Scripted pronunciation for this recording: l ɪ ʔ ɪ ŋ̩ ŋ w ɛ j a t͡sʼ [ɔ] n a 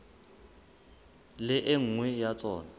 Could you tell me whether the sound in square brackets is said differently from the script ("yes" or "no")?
yes